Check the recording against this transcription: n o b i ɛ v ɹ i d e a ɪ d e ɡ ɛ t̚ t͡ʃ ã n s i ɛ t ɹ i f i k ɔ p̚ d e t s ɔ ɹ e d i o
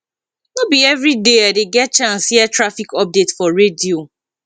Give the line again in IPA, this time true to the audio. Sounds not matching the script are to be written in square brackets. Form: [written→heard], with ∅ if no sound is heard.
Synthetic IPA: n o b i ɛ v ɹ i d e a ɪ d e ɡ ɛ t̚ t͡ʃ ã n s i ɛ t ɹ [i→a] f i k ɔ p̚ d e t [s→f] ɔ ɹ e d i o